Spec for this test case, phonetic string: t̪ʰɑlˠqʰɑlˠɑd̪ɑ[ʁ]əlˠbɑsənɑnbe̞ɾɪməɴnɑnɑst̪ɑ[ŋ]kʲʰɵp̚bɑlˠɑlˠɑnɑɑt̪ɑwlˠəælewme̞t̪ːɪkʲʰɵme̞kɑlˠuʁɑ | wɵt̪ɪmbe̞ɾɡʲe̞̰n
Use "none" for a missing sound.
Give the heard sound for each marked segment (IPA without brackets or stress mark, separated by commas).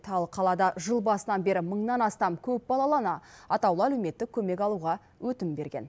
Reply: ʒ, m